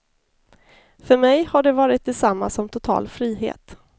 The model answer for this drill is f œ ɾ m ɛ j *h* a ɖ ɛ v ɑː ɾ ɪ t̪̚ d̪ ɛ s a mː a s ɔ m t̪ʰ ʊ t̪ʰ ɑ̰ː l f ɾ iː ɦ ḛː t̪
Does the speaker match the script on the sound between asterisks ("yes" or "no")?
yes